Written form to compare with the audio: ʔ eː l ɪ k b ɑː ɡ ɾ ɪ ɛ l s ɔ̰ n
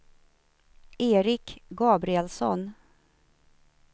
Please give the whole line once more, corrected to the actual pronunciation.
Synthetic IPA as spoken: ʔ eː ɾ ɪ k ɡ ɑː b ɾ ɪ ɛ l s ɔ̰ n